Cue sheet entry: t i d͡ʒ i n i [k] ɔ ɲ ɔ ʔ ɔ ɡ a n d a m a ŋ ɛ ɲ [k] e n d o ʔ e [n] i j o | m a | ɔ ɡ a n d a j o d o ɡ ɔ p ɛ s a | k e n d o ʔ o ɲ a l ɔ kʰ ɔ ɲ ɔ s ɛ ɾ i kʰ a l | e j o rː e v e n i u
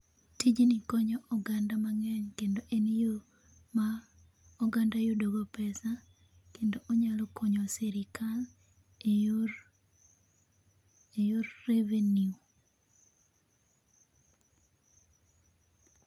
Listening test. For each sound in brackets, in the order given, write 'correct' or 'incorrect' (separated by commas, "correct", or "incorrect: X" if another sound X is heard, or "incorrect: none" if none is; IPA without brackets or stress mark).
correct, correct, correct